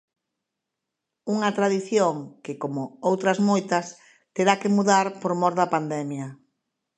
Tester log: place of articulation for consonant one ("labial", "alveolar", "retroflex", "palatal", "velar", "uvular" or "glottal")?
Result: velar